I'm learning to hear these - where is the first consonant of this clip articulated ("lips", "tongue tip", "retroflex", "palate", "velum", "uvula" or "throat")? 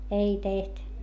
tongue tip